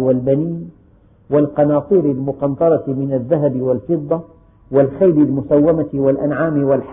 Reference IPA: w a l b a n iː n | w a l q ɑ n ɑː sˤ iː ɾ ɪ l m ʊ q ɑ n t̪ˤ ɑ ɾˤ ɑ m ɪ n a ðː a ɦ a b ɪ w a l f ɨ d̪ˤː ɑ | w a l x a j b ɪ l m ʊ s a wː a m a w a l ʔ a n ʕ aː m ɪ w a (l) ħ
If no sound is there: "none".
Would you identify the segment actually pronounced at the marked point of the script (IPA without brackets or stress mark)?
l